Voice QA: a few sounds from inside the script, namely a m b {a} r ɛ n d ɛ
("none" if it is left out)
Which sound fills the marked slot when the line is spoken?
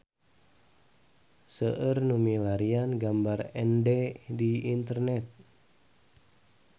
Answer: a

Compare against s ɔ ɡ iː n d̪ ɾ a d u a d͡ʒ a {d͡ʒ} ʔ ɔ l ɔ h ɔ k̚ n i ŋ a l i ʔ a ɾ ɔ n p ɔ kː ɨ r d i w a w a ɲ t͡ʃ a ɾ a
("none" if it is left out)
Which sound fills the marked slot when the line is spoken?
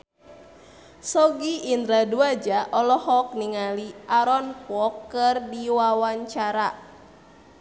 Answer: none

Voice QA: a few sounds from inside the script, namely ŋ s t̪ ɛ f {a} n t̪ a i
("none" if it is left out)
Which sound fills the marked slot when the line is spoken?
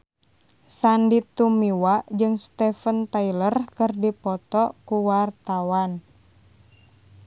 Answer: ə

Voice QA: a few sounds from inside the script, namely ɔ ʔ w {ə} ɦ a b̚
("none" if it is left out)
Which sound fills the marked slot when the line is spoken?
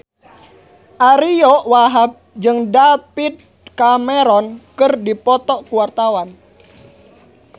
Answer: a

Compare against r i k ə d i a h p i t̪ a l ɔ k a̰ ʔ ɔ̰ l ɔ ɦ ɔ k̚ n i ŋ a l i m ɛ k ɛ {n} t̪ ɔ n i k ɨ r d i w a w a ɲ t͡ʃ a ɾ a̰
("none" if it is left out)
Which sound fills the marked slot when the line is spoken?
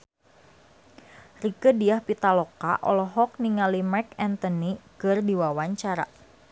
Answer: n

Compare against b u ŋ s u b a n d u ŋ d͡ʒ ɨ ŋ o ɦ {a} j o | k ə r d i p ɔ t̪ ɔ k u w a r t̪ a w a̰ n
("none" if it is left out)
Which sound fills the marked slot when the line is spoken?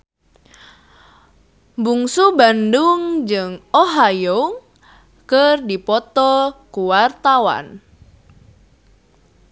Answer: a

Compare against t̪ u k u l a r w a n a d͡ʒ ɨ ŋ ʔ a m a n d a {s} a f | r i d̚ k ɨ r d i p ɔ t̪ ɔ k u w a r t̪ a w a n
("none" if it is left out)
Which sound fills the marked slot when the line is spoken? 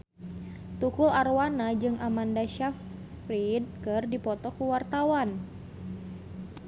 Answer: ʃ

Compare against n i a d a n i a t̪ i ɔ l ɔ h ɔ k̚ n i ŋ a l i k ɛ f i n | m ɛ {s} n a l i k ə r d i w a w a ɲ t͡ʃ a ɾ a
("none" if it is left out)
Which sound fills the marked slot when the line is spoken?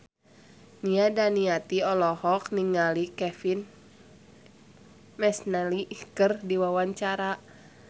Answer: s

